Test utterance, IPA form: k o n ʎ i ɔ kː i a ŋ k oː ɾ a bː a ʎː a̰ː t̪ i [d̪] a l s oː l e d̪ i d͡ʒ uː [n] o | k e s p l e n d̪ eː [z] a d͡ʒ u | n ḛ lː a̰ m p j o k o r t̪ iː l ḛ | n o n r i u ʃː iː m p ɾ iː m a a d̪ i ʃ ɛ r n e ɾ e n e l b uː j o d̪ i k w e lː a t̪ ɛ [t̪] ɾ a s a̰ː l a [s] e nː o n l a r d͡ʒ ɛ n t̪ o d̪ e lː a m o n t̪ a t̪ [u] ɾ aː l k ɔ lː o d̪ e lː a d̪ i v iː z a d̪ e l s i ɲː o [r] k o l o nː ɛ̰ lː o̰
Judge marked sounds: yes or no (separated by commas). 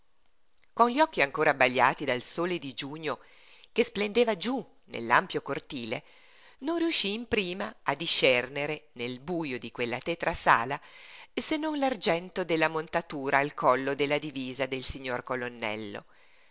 yes, no, no, yes, yes, no, yes